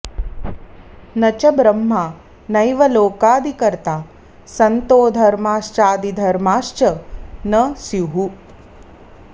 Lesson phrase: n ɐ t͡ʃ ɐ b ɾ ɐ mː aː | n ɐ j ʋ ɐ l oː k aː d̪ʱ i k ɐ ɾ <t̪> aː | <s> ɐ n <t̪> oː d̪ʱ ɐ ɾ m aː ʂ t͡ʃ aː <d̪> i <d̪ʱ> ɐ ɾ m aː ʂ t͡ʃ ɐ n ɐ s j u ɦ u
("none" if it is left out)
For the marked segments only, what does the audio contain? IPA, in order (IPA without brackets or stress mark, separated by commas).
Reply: t̪, s, t̪, d̪, d̪ʱ